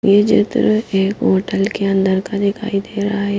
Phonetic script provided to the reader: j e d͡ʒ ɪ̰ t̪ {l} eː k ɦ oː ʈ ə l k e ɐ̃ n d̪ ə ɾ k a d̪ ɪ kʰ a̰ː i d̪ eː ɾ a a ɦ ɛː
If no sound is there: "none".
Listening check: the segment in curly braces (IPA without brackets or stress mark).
ɾ